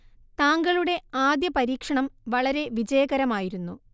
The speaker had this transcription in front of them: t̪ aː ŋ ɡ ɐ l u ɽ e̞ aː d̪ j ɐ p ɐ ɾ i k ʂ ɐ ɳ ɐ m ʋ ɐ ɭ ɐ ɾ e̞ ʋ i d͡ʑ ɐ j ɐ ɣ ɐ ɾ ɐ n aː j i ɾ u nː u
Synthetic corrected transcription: t̪ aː ŋ ɡ ɐ ɭ u ɽ e̞ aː d̪ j ɐ p ɐ ɾ iː k ʂ ɐ ɳ ɐ m ʋ ɐ ɭ ɐ ɾ e̞ ʋ i d͡ʑ ɐ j ɐ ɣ ɐ ɾ ɐ m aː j i ɾ u nː u

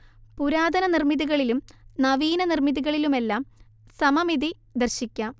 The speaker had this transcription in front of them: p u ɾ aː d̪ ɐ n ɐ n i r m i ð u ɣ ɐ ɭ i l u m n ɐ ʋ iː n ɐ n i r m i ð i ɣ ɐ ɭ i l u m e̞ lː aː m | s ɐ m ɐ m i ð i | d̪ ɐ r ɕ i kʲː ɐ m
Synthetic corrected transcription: p u ɾ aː d̪ ɐ n ɐ n i r m i ð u ɣ ɐ ɭ i l u m n ɐ ʋ iː n ɐ n i r m i ð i ɣ ɐ ɭ i l u m e̞ lː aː m | s ɐ m ɐ m i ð i | d̪ ɐ r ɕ i kʲː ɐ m

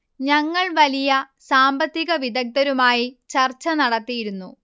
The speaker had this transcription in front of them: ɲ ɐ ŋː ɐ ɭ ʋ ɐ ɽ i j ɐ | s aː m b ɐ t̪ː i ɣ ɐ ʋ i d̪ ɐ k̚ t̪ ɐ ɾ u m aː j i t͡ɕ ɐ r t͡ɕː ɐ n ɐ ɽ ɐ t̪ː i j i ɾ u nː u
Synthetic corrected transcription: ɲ ɐ ŋː ɐ ɭ ʋ ɐ l i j ɐ | s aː m b ɐ t̪ː i ɣ ɐ ʋ i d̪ ɐ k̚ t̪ ɐ ɾ u m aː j i t͡ɕ ɐ r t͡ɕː ɐ n ɐ ɽ ɐ t̪ː i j i ɾ u nː u

